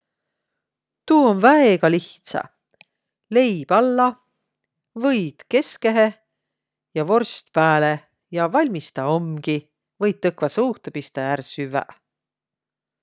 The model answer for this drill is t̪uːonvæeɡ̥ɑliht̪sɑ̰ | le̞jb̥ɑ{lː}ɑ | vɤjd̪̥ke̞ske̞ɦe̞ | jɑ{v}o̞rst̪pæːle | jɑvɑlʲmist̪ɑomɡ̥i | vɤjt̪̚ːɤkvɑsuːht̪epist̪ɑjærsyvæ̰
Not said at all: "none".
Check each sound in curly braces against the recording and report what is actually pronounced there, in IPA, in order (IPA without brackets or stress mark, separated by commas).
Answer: lː, v